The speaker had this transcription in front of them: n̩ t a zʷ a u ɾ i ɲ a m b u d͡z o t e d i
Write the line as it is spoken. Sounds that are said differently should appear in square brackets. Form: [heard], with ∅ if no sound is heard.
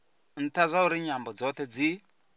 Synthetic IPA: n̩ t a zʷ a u ɾ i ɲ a m b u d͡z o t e [d͡z] i